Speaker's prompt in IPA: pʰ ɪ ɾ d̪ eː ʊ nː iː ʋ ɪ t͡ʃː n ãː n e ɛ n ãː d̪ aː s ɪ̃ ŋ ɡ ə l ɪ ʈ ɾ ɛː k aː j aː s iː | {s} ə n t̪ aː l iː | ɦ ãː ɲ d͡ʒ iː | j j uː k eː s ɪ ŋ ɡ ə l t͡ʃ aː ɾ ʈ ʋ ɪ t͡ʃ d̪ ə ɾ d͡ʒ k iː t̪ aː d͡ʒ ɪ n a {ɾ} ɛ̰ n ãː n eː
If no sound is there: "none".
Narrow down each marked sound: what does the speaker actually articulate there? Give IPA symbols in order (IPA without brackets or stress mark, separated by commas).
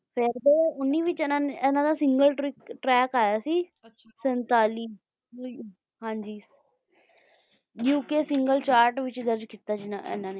s, none